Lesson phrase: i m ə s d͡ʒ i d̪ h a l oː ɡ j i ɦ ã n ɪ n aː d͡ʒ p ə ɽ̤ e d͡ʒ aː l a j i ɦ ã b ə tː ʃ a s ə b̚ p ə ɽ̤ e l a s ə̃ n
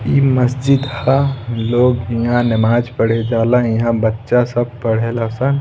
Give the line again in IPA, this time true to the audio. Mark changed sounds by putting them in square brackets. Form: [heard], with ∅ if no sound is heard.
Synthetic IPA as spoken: i m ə s d͡ʒ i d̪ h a l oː ɡ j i ɦ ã n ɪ [m] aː d͡ʒ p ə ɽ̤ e d͡ʒ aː l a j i ɦ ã b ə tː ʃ a s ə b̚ p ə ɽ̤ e l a s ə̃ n